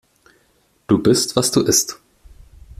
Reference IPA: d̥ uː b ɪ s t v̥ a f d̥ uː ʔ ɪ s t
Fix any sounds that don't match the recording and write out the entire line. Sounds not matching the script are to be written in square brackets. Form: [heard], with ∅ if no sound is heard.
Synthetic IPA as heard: d̥ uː b ɪ s t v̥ a [s] d̥ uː ʔ ɪ s t